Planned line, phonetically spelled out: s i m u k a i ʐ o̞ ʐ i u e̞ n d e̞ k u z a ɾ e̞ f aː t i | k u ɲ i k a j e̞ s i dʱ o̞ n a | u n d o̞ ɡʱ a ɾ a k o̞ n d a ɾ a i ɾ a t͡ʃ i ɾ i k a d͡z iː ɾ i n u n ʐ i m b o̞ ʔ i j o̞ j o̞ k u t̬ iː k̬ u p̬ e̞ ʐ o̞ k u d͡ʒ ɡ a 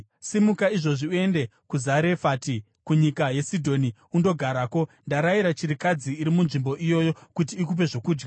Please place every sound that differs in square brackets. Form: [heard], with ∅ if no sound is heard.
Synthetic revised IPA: s i m u k a i ʐ o̞ ʐ i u e̞ n d e̞ k u z a ɾ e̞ f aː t i | k u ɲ i k a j e̞ s i dʱ o̞ n [i] | u n d o̞ ɡʱ a ɾ a k o̞ n d a ɾ a i ɾ a t͡ʃ i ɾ i k a d͡z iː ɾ i [m] u n ʐ i m b o̞ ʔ i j o̞ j o̞ k u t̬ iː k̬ u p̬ e̞ ʐ o̞ k [uː] d͡ʒ ɡ a